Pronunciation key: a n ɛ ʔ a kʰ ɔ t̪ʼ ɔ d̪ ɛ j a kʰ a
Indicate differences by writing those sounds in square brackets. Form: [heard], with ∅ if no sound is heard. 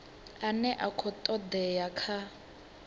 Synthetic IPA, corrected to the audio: a n ɛ ʔ a kʰ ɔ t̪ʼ ɔ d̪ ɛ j a kʰ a